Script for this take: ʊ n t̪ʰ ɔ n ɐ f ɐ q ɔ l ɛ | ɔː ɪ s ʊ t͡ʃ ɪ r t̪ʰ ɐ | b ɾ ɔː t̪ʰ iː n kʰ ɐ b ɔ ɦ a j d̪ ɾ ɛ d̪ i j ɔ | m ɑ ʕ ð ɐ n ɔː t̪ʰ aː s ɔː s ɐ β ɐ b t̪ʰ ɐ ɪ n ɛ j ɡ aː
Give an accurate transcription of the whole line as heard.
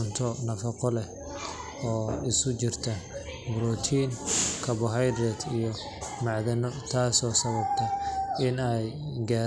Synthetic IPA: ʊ n t̪ʰ ɔ n ɐ f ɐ q ɔ l ɛ | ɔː ɪ s ʊ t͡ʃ ɪ r t̪ʰ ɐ | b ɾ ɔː t̪ʰ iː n kʰ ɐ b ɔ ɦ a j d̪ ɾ ɛ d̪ i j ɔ | m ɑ ʕ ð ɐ n ɔ t̪ʰ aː s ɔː s ɐ β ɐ b t̪ʰ ɐ ɪ n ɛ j ɡ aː